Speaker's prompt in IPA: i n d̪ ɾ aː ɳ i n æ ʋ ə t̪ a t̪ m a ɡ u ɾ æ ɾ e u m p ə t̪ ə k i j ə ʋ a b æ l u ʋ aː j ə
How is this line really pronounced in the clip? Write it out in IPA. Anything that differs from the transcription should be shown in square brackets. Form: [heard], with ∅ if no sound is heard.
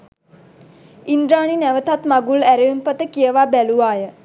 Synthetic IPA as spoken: i n d̪ ɾ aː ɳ i n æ ʋ ə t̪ a t̪ m a ɡ u [l] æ ɾ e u m p ə t̪ ə k i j ə ʋ a b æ l u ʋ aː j ə